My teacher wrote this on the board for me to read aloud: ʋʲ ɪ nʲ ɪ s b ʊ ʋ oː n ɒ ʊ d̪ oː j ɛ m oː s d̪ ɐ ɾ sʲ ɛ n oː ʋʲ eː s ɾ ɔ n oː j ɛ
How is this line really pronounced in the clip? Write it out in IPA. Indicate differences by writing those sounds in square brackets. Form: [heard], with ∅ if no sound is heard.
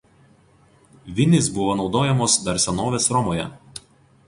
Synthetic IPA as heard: ʋʲ ɪ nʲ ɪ s b ʊ ʋ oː n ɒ ʊ d̪ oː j ɛ m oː s d̪ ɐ ɾ sʲ ɛ n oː ʋʲ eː s ɾ ɔ [m] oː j ɛ